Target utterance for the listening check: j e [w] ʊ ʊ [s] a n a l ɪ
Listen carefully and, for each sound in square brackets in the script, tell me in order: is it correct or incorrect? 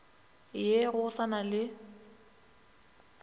incorrect: ɣ, correct

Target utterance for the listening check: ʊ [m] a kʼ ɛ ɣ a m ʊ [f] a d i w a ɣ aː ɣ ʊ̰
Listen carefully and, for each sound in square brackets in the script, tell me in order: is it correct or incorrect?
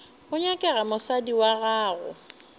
incorrect: ɲ, incorrect: s

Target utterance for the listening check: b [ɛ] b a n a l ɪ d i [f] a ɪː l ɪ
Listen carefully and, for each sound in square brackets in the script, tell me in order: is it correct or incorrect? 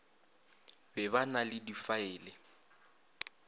correct, correct

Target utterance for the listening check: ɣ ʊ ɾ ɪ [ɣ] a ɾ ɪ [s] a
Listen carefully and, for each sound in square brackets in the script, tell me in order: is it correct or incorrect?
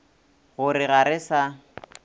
correct, correct

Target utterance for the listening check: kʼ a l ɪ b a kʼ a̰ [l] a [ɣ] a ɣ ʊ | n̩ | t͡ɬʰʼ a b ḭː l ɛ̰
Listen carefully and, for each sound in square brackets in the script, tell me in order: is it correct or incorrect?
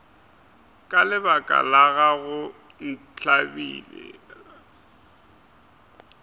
correct, correct

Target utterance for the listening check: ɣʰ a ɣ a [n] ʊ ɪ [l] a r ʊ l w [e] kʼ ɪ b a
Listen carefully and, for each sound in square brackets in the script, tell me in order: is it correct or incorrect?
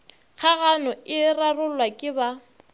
correct, incorrect: r, incorrect: a

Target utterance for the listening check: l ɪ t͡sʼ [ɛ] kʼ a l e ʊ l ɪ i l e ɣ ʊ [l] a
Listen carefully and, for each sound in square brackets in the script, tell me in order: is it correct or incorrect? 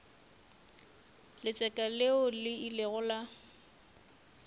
correct, correct

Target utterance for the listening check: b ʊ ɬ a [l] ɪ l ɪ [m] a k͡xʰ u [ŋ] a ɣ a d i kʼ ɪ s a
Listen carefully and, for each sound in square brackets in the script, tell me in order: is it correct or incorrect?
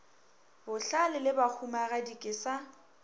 correct, incorrect: b, incorrect: m

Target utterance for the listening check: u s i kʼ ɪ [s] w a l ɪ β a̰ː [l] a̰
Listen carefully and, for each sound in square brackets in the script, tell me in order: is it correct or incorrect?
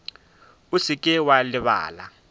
incorrect: none, correct

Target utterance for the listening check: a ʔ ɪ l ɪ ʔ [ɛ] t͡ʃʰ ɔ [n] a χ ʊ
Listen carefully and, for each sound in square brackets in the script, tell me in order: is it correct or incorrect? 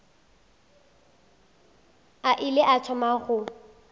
incorrect: a, incorrect: m

